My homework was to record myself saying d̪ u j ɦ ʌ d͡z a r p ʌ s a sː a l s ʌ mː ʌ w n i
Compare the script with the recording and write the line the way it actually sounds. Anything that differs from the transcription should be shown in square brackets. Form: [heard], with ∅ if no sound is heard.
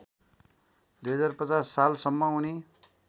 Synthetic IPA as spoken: d̪ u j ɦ ʌ d͡z a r p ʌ [t͡s] a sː a l s ʌ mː ʌ [u] n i